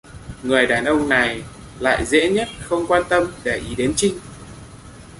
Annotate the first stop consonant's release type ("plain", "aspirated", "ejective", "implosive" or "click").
implosive